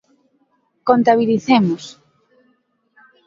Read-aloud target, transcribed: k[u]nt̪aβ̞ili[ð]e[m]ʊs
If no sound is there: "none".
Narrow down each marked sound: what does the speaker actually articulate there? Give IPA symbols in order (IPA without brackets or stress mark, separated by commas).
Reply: o, θ, m